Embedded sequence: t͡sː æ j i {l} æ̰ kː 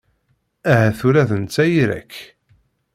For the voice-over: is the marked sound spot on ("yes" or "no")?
no